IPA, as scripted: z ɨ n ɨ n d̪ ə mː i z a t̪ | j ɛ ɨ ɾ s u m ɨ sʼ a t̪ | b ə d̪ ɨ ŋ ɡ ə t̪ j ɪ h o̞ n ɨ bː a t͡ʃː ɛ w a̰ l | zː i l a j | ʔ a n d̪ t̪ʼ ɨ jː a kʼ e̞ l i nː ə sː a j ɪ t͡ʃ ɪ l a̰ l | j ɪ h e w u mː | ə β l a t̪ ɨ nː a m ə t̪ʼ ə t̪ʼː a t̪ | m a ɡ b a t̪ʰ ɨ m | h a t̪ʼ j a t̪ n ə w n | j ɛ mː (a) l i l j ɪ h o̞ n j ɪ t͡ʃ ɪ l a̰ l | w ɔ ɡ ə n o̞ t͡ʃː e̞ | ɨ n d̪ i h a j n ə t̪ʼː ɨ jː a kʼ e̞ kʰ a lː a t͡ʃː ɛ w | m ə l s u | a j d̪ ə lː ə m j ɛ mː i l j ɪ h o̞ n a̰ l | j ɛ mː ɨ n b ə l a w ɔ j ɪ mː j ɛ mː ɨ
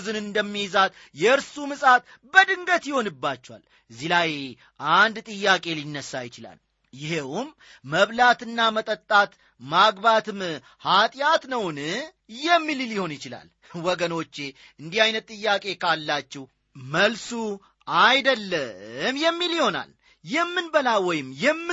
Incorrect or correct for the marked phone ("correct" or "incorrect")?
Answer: incorrect